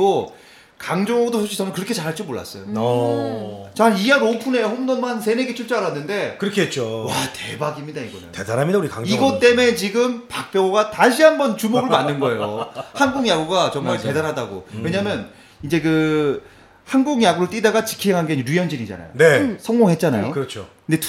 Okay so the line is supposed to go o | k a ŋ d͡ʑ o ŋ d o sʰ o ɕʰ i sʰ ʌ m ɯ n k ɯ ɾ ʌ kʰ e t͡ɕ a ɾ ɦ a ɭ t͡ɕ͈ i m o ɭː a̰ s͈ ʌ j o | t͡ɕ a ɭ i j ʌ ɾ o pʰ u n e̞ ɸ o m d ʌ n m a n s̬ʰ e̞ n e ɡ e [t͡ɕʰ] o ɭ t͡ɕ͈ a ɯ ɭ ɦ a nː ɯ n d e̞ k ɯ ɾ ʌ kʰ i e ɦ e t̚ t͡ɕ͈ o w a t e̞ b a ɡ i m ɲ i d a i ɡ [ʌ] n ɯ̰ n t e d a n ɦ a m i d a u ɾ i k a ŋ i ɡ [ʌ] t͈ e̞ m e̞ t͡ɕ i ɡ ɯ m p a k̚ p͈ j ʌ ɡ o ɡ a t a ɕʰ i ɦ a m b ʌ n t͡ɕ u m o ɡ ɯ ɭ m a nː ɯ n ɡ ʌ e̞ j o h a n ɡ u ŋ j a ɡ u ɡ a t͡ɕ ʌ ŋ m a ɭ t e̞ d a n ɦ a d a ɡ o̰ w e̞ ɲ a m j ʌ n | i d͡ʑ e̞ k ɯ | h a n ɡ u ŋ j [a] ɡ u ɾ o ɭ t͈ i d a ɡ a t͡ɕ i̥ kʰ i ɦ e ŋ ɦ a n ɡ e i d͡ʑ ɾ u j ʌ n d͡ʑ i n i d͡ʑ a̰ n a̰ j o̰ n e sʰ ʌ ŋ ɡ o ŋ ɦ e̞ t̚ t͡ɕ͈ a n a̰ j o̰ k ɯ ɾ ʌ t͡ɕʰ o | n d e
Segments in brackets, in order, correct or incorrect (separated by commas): correct, correct, correct, correct